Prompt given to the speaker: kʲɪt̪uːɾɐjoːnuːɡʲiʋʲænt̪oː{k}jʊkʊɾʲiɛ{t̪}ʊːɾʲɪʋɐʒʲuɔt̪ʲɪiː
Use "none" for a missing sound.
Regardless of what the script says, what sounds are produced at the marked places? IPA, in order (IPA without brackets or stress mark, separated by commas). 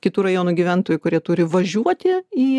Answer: none, t̪